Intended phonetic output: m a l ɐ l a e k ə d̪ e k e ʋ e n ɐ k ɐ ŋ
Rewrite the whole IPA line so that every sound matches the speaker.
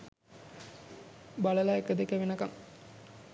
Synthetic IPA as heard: b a l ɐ l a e k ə d̪ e k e ʋ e n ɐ k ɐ ŋ